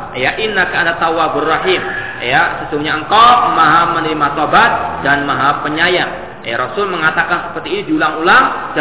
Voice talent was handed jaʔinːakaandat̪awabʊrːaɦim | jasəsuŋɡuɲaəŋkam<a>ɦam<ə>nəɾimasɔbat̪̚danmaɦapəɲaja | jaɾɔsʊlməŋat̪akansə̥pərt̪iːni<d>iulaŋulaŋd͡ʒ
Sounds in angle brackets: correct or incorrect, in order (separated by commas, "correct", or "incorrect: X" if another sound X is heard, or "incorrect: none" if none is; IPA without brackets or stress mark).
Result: correct, correct, correct